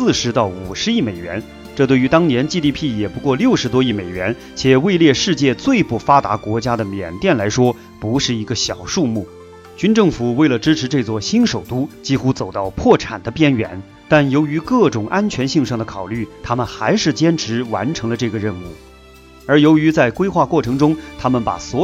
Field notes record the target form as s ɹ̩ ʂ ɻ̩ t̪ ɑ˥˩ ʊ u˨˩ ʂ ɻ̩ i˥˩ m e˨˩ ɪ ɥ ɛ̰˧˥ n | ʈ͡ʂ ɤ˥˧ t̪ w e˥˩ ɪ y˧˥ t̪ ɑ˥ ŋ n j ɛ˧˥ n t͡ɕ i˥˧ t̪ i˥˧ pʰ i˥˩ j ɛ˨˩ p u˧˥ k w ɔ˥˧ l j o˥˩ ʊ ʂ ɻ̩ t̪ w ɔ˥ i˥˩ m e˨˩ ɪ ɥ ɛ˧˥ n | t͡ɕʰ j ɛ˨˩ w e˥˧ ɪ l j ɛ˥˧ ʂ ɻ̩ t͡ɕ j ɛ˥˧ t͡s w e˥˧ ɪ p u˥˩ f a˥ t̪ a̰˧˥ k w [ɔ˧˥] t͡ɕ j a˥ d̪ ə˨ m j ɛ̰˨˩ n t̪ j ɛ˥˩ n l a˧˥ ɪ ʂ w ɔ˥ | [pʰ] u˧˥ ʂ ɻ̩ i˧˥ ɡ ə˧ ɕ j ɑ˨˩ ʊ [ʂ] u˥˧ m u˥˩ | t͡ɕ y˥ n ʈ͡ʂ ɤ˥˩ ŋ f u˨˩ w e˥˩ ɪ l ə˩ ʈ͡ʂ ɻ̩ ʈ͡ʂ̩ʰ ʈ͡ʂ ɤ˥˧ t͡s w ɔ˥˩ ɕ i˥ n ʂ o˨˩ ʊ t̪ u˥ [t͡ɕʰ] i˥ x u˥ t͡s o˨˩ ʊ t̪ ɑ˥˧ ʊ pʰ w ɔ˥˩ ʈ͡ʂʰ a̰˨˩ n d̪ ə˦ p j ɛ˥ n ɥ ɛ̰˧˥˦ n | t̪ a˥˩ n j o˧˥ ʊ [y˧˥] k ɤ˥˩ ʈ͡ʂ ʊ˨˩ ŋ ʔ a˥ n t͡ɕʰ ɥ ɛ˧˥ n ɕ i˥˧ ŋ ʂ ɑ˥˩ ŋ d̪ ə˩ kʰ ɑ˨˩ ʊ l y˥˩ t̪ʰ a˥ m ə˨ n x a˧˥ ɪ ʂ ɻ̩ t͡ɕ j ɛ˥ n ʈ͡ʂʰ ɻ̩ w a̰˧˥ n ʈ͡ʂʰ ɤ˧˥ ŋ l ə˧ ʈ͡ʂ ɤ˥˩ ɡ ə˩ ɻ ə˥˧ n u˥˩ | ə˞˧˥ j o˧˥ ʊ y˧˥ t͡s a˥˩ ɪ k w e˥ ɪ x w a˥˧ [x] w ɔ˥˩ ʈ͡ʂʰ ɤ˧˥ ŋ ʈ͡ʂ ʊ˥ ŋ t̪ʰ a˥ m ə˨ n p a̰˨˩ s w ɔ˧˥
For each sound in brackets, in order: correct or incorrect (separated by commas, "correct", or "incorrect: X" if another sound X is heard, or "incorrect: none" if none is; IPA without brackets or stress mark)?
correct, incorrect: p, correct, incorrect: t͡ɕ, correct, incorrect: k